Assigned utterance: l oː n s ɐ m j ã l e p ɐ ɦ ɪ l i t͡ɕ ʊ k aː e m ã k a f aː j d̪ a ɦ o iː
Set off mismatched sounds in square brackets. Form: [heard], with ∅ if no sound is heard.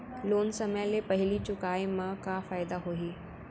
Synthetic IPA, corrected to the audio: l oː n s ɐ m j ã l e p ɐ ɦ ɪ l i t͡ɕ ʊ k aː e m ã k a f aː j d̪ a ɦ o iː